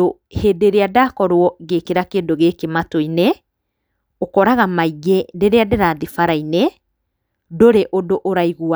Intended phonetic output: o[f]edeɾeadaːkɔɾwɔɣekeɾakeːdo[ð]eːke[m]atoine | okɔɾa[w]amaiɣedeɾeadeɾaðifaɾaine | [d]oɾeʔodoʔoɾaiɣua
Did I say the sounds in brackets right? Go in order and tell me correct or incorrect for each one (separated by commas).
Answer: incorrect, incorrect, correct, incorrect, correct